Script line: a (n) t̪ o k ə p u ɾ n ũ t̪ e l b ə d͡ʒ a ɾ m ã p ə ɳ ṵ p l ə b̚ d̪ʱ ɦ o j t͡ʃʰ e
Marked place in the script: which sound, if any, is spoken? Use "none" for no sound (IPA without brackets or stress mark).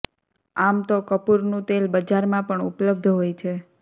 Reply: m